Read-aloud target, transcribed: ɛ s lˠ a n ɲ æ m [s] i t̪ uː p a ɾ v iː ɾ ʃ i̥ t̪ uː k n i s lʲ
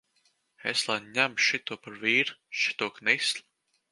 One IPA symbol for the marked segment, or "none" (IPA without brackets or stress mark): ʃ